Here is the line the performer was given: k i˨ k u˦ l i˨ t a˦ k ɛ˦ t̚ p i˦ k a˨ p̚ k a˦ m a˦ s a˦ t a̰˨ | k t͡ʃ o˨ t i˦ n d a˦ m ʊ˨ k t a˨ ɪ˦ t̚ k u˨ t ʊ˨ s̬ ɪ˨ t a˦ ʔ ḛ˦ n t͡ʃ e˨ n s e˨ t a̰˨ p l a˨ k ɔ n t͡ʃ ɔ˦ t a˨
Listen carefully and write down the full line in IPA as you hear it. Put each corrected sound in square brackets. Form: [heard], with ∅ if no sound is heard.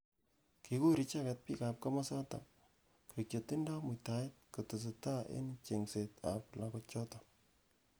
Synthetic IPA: k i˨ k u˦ [ɾ] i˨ [t͡ʃ] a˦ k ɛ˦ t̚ p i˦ k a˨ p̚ k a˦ m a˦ s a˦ t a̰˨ | k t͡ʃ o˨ t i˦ n d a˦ m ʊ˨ [∅] t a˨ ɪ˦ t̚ k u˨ t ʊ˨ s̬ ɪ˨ t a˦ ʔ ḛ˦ n t͡ʃ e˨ [ŋ] s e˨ t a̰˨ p l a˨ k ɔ [∅] t͡ʃ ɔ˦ t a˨